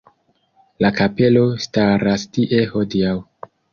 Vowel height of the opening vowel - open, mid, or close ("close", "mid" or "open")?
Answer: open